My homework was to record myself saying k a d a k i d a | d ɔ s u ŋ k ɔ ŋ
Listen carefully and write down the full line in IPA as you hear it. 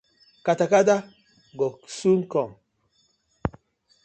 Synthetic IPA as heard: k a t a k a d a | ɡ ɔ s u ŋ k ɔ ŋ

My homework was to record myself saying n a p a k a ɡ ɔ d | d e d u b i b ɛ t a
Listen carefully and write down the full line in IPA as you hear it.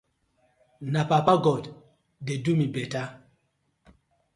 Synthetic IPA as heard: n a p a p a ɡ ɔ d | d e d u m i b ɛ t a

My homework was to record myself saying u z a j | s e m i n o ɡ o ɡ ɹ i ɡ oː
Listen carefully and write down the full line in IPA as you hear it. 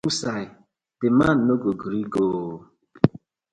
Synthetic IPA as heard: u s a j | t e m a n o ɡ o ɡ ɾ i ɡ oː

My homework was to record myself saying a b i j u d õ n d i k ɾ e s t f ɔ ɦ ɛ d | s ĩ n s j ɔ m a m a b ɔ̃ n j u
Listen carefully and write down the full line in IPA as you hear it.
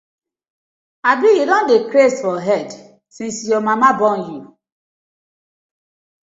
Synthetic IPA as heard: a b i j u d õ n d e k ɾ e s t f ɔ ɦ ɛ d | s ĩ n s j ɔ m a m a b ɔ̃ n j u

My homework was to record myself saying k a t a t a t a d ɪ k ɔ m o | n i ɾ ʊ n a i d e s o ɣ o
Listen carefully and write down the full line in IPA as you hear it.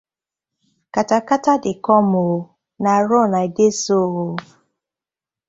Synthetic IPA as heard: k a t a k a t a d ɪ k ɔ m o | n a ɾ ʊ n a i d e s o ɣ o

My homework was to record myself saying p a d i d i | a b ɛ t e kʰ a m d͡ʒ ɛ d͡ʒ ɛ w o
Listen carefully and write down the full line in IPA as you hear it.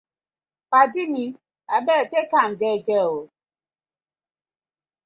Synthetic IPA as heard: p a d i n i | a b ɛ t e k a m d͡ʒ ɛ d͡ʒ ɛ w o

